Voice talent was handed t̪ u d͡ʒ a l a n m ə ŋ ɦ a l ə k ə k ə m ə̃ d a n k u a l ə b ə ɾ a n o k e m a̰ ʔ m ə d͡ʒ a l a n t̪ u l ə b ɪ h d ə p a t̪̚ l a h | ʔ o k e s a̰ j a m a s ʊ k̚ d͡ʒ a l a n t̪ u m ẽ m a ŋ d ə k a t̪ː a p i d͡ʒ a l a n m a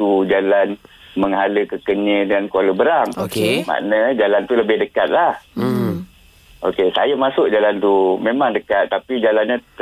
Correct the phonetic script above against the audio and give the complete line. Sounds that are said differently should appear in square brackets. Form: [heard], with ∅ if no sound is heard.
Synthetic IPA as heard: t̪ u d͡ʒ a l a n m ə ŋ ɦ a l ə k ə k ə [ɲ] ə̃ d a n k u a l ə b ə ɾ a [ŋ] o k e m a̰ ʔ [n] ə d͡ʒ a l a n t̪ u l ə b ɪ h d ə [k] a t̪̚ l a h | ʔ o k e s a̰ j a m a s ʊ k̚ d͡ʒ a l a n t̪ u m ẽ m a ŋ d ə k a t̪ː a p i d͡ʒ a l a n [ɲ] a